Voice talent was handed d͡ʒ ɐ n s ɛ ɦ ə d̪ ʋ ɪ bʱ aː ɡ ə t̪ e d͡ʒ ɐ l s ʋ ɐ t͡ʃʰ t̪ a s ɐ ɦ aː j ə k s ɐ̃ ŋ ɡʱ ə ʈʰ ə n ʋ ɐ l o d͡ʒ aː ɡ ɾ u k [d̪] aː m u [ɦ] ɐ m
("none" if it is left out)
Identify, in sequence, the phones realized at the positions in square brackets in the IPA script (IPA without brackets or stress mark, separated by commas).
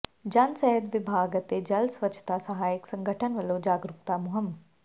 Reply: t̪, ɦ